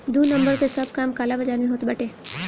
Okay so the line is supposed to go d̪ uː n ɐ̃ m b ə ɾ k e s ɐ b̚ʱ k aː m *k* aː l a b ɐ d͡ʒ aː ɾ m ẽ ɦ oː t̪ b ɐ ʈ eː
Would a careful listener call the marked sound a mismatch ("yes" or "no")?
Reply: no